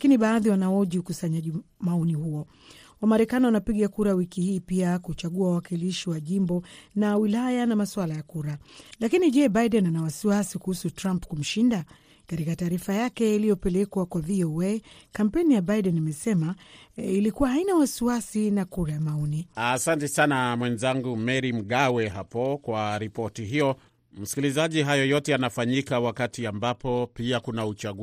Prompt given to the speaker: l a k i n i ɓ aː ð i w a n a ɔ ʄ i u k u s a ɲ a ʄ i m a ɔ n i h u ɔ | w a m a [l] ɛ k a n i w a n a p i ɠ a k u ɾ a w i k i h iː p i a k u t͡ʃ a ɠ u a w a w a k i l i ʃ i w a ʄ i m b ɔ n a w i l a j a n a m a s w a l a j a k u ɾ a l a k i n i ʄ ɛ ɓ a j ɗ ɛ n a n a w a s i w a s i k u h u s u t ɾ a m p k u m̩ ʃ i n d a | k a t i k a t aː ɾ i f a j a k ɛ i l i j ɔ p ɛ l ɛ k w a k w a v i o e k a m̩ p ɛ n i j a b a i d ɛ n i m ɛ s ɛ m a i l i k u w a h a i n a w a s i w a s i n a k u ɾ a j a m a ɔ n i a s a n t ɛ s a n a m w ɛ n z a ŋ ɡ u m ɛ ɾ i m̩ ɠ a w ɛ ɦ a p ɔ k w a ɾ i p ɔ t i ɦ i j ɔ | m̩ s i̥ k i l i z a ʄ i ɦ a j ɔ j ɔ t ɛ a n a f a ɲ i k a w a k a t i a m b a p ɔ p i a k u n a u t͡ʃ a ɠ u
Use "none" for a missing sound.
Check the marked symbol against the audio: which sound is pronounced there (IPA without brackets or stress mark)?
ɾ